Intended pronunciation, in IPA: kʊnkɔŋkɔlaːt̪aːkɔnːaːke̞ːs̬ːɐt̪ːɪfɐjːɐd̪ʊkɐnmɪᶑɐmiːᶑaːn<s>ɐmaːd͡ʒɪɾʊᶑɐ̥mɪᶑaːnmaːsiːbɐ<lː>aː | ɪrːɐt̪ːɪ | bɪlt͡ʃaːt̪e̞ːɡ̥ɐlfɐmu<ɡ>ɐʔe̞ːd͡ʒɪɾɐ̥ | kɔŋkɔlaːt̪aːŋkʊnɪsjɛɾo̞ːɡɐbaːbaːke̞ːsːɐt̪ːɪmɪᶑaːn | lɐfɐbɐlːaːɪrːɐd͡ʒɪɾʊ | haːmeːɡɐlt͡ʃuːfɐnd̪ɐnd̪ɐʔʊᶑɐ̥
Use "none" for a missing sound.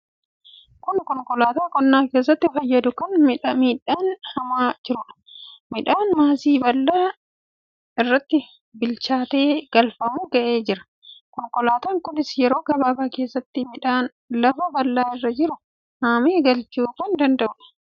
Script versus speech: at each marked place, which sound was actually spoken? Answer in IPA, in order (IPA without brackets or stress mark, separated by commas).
h, lː, ɡ